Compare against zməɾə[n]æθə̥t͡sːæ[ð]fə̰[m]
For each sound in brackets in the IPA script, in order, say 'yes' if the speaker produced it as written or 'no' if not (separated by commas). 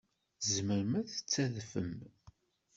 no, yes, yes